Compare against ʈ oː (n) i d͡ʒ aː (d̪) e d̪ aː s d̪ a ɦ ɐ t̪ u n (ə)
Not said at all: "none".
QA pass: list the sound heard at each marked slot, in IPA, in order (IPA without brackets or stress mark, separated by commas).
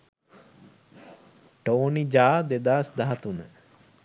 n, d̪, ə